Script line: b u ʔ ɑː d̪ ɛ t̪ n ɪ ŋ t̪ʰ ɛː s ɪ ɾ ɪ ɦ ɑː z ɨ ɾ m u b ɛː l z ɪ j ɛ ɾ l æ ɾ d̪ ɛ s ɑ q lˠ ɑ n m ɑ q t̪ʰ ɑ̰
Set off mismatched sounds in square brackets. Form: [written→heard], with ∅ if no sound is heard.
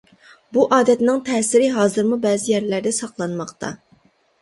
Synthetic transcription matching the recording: b u ʔ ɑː d̪ ɛ t̪ n ɪ ŋ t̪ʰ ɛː s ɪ ɾ ɪ ɦ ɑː z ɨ ɾ m u b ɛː [l→∅] z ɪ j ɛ ɾ l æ ɾ d̪ ɛ s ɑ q lˠ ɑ n m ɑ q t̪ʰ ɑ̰

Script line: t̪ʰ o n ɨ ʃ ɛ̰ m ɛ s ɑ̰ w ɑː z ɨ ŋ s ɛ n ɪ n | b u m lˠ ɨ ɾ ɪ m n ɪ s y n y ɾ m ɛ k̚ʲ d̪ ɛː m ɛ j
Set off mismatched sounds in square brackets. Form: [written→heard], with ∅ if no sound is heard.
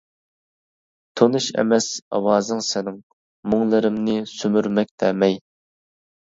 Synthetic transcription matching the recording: t̪ʰ o n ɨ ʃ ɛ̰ m ɛ s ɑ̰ w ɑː z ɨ ŋ s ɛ n ɪ [n→ŋ] | [b→m] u [m→ŋ] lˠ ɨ ɾ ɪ m n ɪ s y [n→m] y ɾ m ɛ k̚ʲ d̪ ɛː m ɛ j

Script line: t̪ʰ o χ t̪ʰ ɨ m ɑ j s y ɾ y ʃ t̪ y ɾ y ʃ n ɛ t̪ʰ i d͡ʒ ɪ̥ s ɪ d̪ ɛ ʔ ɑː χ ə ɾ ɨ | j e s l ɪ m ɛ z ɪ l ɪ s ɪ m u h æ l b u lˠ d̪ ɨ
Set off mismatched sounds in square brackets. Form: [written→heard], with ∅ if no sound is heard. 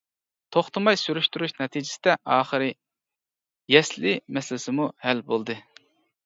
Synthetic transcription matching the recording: t̪ʰ o χ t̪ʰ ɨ m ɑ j s y ɾ y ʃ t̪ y ɾ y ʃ n ɛ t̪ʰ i d͡ʒ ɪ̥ s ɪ d̪ ɛ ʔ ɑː χ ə ɾ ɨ | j [e→ɛ] s l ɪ m ɛ [z→s] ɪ l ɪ s ɪ m u h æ l b [u→o] lˠ d̪ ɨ

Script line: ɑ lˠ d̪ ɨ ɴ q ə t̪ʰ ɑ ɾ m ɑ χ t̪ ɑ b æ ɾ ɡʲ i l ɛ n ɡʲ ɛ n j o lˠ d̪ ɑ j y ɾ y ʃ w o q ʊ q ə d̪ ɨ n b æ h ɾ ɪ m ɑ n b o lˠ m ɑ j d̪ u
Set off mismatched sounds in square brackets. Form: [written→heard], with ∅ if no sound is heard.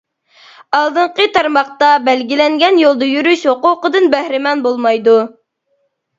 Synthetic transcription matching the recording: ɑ lˠ d̪ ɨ ɴ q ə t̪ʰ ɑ ɾ m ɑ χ t̪ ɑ b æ [ɾ→l] ɡʲ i l ɛ [n→ŋ] ɡʲ ɛ n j o lˠ d̪ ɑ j y ɾ y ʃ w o q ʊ q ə d̪ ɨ n b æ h ɾ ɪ m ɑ n b o lˠ m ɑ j d̪ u

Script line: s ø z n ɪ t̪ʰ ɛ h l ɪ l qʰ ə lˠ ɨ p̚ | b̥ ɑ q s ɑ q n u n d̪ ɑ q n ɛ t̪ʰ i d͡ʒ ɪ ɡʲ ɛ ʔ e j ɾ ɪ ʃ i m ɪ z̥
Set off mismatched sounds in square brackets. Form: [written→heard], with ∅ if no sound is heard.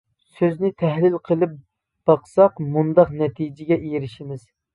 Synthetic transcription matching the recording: s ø z n ɪ t̪ʰ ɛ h l ɪ l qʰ ə lˠ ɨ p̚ | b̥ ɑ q s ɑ q [n→m] u n d̪ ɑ q n ɛ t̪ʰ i d͡ʒ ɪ ɡʲ ɛ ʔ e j ɾ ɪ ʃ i m ɪ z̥

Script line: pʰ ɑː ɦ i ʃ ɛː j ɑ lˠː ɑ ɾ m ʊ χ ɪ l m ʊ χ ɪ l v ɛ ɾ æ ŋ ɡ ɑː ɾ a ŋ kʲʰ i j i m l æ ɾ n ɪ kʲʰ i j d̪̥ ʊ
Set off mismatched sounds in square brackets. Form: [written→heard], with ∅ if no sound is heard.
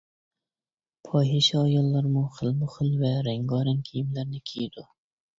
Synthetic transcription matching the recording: pʰ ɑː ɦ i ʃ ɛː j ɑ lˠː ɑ ɾ m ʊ χ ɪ l m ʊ χ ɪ l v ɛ ɾ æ ŋ ɡ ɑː ɾ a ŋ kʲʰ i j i m l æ ɾ n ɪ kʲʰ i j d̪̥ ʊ

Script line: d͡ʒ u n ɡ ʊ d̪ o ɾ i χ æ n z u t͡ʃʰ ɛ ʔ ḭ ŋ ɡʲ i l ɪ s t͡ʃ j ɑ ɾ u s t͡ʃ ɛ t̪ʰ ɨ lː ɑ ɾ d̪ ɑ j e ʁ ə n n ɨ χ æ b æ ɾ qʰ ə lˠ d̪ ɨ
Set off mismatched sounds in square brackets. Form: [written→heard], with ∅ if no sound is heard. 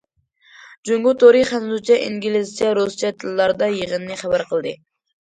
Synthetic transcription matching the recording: d͡ʒ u [n→ŋ] ɡ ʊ [d̪→t̪] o ɾ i χ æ n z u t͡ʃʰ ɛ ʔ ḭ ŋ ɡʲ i l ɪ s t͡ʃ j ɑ ɾ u s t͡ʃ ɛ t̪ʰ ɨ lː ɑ ɾ d̪ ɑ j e ʁ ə n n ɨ χ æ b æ ɾ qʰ ə lˠ d̪ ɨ

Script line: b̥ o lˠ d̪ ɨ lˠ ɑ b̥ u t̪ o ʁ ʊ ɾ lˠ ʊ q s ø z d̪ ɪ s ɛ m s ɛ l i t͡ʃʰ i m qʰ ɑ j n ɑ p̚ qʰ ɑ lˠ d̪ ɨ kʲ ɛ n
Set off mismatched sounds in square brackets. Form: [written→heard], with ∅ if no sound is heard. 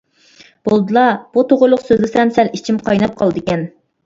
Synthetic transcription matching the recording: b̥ o lˠ d̪ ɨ lˠ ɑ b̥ u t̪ o ʁ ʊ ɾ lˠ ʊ q s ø z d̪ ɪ s ɛ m s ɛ l i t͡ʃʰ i m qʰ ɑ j n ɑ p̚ qʰ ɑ lˠ d̪ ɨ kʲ ɛ n

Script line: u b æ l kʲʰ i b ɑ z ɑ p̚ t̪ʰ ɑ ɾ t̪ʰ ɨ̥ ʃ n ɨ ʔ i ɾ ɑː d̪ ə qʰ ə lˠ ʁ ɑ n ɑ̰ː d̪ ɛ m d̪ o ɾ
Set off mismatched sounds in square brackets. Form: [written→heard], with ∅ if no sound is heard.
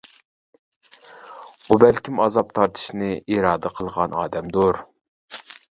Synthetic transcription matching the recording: u b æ l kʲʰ i [b→m] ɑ z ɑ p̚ t̪ʰ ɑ ɾ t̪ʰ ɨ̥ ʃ n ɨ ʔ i ɾ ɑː d̪ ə qʰ ə lˠ ʁ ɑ n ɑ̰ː d̪ ɛ m d̪ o ɾ

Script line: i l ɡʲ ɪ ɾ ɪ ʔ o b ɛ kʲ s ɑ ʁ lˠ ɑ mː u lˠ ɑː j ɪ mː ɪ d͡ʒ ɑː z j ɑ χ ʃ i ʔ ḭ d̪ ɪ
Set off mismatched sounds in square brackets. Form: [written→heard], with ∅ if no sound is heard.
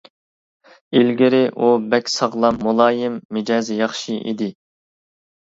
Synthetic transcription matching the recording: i l ɡʲ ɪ ɾ ɪ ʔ [o→u] b ɛ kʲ s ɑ ʁ lˠ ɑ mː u lˠ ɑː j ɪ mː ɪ d͡ʒ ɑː z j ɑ χ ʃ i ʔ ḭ d̪ ɪ

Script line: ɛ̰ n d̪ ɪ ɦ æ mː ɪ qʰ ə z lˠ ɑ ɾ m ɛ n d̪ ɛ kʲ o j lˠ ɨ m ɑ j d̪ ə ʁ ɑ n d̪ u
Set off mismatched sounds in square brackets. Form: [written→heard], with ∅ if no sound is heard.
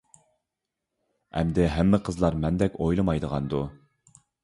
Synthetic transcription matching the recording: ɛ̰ [n→m] d̪ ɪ ɦ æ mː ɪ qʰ ə z lˠ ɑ ɾ m ɛ n d̪ ɛ kʲ o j lˠ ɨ m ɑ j d̪ ə ʁ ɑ n d̪ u

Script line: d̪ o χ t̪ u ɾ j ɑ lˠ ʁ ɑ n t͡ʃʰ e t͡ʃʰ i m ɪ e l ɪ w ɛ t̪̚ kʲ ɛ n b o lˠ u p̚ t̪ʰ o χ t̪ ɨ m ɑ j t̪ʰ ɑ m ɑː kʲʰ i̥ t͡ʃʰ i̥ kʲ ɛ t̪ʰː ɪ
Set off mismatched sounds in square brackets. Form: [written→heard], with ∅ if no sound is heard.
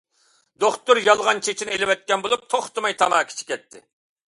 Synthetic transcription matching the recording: d̪ o χ t̪ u ɾ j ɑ lˠ ʁ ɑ n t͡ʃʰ e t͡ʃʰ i [m→n] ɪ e l ɪ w ɛ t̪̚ kʲ ɛ n b o lˠ u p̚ t̪ʰ o χ t̪ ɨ m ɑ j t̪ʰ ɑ m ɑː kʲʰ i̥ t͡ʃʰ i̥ kʲ ɛ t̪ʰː ɪ

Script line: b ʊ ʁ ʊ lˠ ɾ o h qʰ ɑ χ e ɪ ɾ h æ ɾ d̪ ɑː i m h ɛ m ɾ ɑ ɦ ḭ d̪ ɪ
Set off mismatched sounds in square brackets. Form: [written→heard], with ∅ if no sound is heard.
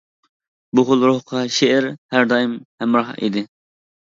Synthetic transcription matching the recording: b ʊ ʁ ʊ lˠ ɾ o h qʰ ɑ [χ→ʃ] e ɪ ɾ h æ ɾ d̪ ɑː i m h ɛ m ɾ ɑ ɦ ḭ d̪ ɪ

